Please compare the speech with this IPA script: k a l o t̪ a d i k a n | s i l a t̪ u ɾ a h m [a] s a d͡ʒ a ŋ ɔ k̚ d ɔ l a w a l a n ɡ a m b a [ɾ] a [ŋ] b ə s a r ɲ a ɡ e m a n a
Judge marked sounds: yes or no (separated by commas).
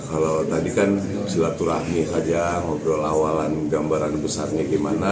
no, yes, no